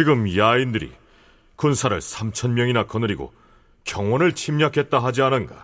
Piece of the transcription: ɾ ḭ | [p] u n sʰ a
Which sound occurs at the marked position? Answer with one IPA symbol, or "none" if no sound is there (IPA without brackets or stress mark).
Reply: k